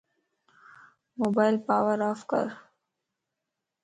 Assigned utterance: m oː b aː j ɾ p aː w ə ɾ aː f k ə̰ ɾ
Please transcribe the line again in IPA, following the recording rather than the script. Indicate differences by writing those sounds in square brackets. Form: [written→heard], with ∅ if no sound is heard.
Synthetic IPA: m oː b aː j [ɾ→l] p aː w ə ɾ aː f k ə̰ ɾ